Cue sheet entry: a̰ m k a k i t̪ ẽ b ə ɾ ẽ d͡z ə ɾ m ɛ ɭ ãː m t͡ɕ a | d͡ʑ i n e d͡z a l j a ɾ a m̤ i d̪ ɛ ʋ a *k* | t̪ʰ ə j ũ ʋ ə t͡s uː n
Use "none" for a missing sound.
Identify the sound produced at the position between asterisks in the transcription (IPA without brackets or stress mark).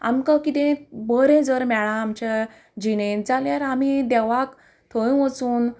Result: k